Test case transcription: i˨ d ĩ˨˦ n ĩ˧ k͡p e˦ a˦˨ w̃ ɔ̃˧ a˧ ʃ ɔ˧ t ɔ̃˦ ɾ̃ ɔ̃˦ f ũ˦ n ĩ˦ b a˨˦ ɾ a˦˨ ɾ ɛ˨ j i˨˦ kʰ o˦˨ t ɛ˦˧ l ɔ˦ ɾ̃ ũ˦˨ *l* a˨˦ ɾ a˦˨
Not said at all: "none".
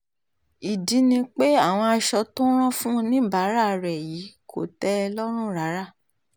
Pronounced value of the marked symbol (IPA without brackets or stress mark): ɾ